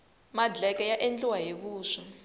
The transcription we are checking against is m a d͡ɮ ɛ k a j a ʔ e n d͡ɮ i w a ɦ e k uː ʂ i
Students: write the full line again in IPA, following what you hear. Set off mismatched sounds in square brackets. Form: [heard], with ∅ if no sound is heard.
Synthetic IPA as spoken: m a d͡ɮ ɛ k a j a ʔ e n d͡ɮ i w a ɦ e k uː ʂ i